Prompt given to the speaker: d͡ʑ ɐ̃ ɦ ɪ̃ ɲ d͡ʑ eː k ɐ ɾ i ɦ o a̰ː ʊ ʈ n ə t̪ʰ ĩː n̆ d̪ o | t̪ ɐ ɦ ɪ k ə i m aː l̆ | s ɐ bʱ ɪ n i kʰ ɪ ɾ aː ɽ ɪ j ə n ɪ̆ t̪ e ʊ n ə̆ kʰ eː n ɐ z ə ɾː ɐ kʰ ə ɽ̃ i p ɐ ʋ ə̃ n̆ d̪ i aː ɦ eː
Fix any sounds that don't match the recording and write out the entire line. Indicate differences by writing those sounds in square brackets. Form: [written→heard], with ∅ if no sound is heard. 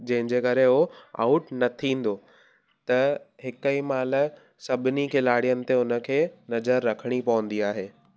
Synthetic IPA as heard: d͡ʑ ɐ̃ ɦ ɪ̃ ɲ d͡ʑ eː k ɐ ɾ [i→e] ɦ o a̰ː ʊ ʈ n [ə→ɐ] t̪ʰ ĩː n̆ d̪ o | t̪ ɐ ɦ ɪ k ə i m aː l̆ | s ɐ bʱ ɪ n i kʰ ɪ [ɾ→l] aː ɽ [ɪ→i] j ə n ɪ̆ t̪ e ʊ n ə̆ kʰ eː n ɐ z ə ɾː ɐ kʰ ə ɽ̃ i p ɐ ʋ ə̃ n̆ d̪ i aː ɦ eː